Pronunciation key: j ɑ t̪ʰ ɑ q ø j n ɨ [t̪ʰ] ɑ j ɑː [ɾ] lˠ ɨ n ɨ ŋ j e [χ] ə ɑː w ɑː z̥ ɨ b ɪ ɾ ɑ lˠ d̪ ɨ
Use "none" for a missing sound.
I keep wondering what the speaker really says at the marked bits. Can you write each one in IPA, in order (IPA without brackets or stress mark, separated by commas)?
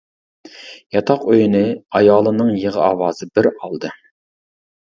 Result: none, none, ʁ